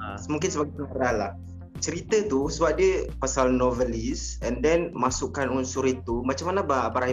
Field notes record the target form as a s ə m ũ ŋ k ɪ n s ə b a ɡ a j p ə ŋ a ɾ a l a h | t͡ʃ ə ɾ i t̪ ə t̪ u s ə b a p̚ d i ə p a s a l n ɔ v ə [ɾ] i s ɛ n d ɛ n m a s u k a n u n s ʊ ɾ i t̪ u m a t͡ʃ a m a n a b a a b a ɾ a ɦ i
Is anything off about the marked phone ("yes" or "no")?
yes